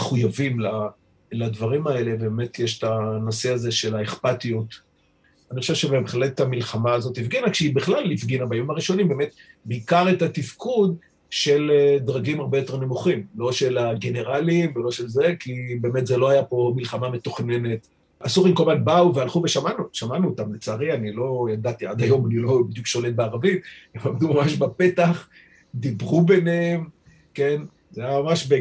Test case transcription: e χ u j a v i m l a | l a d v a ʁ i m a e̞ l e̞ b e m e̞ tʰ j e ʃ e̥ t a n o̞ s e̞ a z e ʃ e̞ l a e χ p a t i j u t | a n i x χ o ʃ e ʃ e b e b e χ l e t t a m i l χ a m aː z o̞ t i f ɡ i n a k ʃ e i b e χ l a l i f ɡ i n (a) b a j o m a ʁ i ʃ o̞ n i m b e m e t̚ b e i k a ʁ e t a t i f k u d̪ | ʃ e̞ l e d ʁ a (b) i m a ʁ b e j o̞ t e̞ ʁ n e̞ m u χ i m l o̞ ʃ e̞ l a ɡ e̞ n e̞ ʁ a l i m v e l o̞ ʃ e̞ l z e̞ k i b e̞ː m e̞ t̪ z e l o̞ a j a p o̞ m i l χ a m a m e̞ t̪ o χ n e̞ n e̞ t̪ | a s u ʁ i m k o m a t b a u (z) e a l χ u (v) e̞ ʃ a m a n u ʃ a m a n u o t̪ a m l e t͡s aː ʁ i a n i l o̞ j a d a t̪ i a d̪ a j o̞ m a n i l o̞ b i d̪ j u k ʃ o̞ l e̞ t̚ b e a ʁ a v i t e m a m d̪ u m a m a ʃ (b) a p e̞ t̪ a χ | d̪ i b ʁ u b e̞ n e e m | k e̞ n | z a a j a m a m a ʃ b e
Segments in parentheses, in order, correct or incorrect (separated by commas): correct, incorrect, incorrect, correct, correct